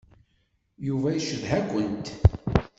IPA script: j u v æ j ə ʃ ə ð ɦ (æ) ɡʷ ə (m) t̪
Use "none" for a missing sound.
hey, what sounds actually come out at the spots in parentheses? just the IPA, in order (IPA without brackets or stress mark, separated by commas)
æ, n